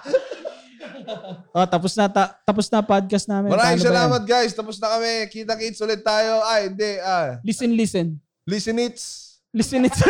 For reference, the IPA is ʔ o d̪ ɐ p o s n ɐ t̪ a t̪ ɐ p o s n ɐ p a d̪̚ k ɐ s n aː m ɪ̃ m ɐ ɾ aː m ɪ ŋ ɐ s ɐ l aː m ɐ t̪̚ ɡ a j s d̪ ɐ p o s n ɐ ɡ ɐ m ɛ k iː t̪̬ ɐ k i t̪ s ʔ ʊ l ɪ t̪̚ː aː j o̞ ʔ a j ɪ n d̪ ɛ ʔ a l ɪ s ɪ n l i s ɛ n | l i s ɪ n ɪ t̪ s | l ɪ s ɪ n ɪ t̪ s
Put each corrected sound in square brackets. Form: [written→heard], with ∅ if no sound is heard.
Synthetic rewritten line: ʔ o [d̪→t̪] ɐ p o s n ɐ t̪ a t̪ ɐ p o s n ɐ p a d̪̚ k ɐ s n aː m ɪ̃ m ɐ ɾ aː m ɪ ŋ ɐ s ɐ l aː m ɐ t̪̚ ɡ a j s [d̪→t̪] ɐ p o s n ɐ [ɡ→k] ɐ m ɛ k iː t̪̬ ɐ k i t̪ s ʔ ʊ l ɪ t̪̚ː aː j o̞ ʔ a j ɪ n d̪ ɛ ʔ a l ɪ s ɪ n l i s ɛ n | l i s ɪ n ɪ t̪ s | l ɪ s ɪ n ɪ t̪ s